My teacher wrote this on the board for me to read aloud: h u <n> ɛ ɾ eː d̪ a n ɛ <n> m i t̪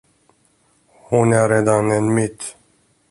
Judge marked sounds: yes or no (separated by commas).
yes, yes